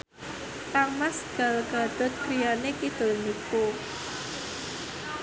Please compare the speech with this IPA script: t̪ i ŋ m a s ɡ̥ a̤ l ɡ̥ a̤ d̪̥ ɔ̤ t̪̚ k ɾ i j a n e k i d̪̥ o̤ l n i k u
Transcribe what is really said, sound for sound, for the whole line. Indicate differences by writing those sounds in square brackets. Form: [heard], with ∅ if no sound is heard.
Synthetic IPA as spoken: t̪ [a] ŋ m a s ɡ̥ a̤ l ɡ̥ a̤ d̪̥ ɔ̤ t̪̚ k ɾ i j a n e k i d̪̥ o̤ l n i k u